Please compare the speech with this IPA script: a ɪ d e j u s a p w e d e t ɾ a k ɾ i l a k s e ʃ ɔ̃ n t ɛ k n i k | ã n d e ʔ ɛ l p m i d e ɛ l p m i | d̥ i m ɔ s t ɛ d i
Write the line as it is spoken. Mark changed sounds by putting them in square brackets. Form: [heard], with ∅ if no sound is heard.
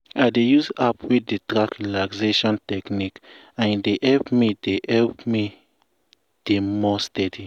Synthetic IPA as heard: a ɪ d e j u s a p w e d e t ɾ a k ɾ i l a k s e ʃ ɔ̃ n t ɛ k n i k | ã n d e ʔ ɛ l p m i d e ɛ l p m i | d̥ [e] m ɔ s t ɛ d i